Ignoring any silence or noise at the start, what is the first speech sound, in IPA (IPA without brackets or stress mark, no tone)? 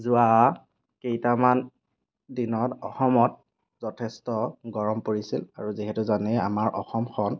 z